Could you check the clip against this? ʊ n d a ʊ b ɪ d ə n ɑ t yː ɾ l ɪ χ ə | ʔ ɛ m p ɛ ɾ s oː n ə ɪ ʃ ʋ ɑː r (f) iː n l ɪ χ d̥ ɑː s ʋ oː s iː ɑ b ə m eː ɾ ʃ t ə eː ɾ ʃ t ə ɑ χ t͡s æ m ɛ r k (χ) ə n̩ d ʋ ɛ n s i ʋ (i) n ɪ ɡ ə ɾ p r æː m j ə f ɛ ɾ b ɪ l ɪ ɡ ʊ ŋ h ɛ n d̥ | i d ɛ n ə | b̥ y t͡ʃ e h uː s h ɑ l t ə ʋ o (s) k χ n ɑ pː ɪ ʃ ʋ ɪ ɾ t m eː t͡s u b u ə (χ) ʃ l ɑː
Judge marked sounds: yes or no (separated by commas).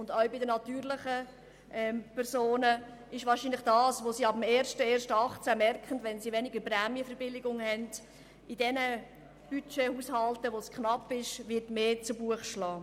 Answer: no, yes, no, yes, yes